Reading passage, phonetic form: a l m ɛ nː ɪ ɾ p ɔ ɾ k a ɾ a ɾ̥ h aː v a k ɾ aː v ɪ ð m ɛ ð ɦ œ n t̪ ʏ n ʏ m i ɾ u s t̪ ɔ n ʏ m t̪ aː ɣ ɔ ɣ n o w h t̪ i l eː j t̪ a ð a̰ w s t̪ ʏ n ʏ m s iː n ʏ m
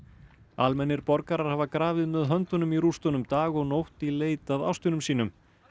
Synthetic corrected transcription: a l m ɛ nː ɪ ɾ p ɔ ɾ k a ɾ a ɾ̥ h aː v a k ɾ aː v ɪ ð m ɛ ð ɦ œ n t̪ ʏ n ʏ m i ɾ u s t̪ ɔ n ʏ m t̪ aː ɣ ɔ ɣ n o w h t̪ i l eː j t̪ a ð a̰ w s t̪ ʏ n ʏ m s iː n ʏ m